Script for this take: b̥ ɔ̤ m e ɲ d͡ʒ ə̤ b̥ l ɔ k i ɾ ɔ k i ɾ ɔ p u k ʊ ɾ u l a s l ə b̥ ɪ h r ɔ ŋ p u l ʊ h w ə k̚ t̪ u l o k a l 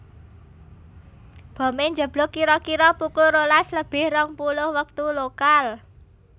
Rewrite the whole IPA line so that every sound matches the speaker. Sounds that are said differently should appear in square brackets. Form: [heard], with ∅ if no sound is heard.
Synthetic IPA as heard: b̥ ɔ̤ m e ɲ d͡ʒ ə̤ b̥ l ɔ k i ɾ ɔ k i ɾ ɔ p u k ʊ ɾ [o] l a s l ə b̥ ɪ h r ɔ ŋ p u l ʊ h w ə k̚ t̪ u l o k a l